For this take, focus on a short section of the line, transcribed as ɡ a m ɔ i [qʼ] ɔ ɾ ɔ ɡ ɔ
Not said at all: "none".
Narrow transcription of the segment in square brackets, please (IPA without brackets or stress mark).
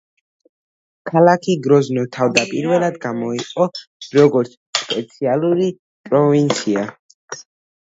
qʼ